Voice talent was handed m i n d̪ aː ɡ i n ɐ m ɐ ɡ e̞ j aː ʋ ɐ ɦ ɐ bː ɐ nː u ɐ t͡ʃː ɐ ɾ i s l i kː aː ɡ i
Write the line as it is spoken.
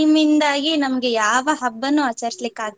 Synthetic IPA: m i n d̪ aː ɡ i n ɐ m ɐ ɡ e̞ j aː ʋ ɐ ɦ ɐ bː ɐ nː u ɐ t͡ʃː ɐ ɾ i s l i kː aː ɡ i